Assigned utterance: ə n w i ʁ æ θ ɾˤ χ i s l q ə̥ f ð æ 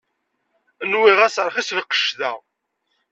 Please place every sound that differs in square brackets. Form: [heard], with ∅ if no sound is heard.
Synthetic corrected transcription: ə n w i ʁ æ [s] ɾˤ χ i s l q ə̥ [ʃ] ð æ